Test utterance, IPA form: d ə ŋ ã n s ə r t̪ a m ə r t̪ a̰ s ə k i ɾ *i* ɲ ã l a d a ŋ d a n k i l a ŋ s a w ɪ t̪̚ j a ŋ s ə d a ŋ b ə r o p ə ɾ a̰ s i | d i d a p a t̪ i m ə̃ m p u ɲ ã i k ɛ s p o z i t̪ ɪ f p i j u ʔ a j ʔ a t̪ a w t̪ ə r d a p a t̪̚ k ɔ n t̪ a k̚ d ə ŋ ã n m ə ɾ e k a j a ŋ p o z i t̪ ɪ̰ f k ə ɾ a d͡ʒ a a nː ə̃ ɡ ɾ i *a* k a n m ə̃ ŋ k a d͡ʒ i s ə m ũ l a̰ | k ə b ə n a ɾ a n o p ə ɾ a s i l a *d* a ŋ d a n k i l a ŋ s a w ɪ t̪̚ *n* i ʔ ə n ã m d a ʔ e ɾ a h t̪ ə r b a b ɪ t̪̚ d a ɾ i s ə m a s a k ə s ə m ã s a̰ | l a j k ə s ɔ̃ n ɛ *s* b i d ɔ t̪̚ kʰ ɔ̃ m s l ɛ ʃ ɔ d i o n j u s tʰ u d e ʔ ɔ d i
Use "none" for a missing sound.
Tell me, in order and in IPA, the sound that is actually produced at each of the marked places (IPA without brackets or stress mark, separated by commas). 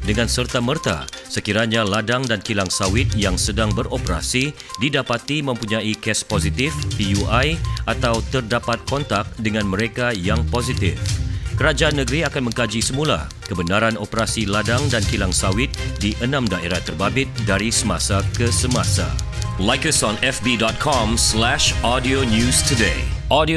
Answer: a, a, d, d, f